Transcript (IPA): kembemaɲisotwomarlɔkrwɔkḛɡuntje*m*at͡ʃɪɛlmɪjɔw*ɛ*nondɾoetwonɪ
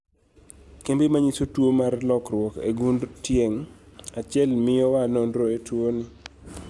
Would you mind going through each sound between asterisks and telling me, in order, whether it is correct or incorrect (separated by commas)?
incorrect, incorrect